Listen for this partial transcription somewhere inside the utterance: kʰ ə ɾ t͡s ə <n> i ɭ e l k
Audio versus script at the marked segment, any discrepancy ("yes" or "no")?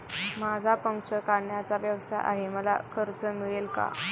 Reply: yes